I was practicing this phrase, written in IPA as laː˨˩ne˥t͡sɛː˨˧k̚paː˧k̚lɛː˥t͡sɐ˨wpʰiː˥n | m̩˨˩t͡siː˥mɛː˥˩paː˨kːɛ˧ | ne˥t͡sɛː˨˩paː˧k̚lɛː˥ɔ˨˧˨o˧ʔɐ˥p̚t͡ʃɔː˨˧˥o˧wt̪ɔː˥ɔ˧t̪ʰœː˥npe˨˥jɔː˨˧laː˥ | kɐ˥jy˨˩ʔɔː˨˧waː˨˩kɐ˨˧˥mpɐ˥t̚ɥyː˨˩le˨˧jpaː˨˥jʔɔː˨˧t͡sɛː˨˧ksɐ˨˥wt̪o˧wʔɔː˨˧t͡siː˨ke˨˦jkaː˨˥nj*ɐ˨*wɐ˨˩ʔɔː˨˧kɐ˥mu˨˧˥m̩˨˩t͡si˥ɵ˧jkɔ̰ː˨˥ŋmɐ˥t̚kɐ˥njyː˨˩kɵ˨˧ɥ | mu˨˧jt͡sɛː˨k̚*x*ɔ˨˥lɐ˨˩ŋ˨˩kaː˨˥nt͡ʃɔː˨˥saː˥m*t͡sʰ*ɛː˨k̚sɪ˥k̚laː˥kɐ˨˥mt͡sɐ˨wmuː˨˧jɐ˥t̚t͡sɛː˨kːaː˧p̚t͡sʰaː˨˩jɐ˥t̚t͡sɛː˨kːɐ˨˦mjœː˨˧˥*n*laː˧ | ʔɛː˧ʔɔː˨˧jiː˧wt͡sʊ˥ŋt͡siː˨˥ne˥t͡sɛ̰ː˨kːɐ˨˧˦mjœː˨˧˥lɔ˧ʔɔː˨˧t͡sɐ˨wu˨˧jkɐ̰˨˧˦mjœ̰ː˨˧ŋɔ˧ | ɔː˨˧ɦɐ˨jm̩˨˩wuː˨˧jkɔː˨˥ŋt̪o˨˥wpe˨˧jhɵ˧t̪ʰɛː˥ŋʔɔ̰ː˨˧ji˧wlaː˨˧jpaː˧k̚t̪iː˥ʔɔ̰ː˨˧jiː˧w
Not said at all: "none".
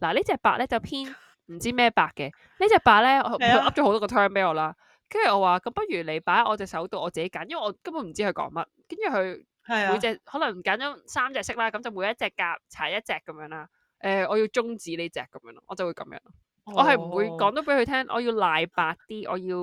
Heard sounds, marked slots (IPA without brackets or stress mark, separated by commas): ɐ˥, h, t͡s, ŋ